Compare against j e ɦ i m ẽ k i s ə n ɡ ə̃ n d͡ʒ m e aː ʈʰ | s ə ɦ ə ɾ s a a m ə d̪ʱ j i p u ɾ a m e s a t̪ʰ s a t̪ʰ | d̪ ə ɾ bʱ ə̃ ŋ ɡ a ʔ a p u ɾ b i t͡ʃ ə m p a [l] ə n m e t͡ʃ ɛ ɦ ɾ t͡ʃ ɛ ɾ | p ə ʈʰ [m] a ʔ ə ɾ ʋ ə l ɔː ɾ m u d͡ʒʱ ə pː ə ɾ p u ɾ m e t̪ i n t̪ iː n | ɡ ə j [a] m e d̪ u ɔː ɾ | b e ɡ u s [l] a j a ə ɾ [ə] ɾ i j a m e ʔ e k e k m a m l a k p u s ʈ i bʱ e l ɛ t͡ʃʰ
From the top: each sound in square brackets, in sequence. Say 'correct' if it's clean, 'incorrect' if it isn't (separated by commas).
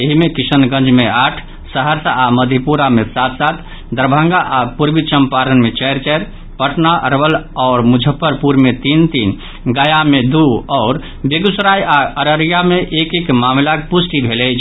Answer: incorrect, incorrect, correct, incorrect, correct